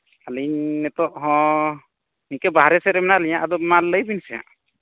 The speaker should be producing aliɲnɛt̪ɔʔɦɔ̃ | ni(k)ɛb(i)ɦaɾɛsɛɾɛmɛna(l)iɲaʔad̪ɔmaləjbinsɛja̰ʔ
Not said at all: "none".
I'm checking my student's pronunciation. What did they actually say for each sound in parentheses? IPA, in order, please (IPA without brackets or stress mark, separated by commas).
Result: k, a, l